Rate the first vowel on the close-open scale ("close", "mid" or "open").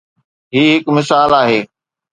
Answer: close